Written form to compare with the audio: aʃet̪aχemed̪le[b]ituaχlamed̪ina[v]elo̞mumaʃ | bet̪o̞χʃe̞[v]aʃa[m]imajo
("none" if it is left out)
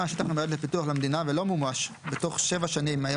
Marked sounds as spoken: p, v, v, n

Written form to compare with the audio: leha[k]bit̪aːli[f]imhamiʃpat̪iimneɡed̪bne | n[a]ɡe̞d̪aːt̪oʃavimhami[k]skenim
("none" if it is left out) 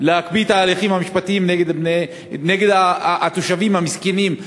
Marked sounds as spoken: k, χ, e, none

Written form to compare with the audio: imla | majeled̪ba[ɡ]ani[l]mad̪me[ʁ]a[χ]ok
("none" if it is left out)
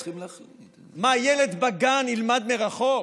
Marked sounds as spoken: ɡ, l, ʁ, χ

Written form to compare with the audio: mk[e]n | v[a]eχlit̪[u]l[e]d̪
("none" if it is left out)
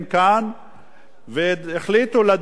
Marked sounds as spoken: a, e, u, a

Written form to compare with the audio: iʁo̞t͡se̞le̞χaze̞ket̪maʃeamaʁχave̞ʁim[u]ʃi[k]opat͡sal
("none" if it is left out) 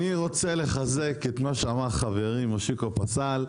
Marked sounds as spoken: o, k

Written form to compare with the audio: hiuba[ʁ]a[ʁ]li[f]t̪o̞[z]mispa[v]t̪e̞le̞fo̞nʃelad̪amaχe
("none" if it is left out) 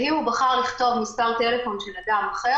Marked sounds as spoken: χ, ʁ, χ, v, ʁ

